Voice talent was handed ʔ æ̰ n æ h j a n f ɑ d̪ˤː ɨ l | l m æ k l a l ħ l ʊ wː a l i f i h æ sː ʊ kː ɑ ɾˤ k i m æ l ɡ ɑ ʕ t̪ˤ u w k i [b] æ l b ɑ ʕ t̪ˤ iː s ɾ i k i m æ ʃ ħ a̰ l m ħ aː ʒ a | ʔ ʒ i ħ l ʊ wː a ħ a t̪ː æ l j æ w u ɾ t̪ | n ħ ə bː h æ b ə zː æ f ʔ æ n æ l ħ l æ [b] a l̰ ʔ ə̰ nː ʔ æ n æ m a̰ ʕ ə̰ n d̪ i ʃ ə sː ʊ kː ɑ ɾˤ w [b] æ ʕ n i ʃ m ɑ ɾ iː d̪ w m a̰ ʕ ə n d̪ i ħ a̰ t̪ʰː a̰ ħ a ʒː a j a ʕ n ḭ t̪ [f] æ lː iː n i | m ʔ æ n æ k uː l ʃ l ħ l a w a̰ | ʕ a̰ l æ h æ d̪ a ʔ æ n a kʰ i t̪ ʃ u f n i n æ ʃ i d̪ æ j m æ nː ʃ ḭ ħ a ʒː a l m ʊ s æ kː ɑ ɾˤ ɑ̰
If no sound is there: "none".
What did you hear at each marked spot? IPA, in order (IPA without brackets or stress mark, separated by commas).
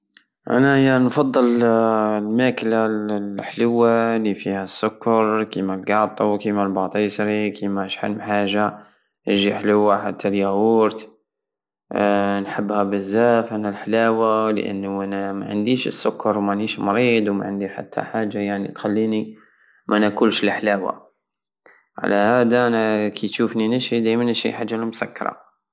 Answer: m, w, m, x